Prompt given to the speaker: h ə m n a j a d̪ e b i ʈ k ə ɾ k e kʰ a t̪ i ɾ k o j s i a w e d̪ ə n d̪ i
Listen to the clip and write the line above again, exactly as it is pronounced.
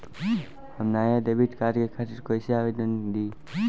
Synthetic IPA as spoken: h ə m n a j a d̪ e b i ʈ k a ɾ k e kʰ a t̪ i ɾ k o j s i a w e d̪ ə n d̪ i